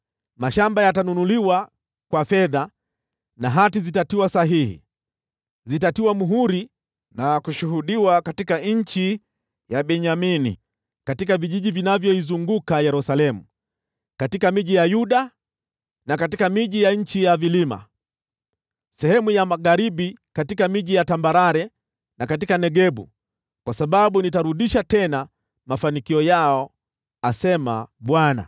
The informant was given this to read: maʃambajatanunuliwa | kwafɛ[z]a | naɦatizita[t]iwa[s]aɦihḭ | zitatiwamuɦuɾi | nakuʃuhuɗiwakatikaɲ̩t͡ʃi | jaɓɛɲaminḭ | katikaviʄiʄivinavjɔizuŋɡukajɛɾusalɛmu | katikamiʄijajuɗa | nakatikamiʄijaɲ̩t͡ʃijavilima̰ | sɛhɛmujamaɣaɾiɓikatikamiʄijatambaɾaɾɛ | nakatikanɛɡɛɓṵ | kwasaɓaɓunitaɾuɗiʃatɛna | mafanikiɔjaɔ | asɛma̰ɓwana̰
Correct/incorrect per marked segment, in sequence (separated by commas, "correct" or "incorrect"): incorrect, correct, correct